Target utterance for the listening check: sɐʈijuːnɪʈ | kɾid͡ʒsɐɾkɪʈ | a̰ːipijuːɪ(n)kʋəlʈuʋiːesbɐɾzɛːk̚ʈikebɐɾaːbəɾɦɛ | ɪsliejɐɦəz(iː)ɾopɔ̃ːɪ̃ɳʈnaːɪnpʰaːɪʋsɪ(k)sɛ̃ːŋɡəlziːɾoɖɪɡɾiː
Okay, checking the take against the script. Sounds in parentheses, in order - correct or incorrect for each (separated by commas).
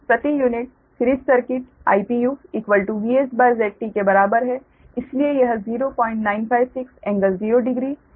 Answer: incorrect, correct, correct